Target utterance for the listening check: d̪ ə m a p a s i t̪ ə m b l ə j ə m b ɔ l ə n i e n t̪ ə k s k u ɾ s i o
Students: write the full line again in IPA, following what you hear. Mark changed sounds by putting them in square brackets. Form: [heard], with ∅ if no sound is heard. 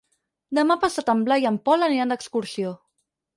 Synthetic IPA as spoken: d̪ ə m a p a s [a] t̪ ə m b l [a] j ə m [p] ɔ l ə n i [a] n [d̪] ə k s k u ɾ s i o